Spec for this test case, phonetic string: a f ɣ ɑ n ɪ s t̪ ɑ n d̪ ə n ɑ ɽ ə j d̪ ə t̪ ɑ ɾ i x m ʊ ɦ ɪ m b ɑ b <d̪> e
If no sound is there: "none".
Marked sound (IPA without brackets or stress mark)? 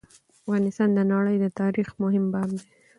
d̪